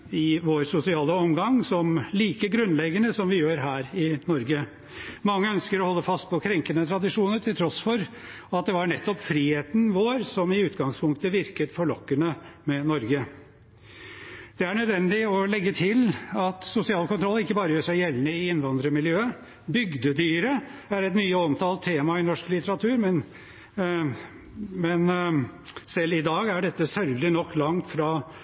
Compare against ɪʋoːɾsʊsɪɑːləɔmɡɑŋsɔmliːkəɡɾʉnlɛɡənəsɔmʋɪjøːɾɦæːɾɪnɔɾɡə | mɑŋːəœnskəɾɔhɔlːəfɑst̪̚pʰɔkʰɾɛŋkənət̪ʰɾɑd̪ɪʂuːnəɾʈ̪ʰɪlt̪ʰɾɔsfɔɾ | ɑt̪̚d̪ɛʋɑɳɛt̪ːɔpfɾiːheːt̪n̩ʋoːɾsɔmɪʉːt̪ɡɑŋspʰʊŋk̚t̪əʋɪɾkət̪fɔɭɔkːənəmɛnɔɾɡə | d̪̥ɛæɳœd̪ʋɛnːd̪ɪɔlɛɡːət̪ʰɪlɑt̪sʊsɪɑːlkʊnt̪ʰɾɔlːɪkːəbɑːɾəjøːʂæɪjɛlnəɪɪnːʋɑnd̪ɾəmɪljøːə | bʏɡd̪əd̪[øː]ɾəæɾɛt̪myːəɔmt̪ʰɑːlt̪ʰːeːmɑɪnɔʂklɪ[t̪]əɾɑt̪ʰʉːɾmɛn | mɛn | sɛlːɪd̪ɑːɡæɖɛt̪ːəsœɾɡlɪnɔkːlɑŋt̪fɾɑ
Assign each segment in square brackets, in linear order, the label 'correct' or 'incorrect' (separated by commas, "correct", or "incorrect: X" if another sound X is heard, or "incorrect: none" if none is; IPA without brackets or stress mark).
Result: incorrect: yː, correct